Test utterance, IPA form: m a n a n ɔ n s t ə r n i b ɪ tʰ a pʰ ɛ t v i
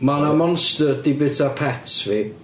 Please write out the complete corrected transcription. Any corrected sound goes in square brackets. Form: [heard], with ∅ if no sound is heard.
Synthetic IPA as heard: m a n a [m] ɔ n s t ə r [d] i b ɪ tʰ a pʰ ɛ t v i